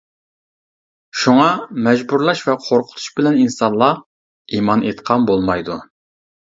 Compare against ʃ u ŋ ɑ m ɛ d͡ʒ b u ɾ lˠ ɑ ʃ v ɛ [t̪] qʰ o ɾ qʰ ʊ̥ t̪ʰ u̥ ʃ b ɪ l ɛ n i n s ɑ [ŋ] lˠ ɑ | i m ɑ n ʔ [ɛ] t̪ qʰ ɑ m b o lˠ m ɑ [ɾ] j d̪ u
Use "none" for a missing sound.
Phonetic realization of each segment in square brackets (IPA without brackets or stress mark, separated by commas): none, n, e, none